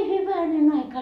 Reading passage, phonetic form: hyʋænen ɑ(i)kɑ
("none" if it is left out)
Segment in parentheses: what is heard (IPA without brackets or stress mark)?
i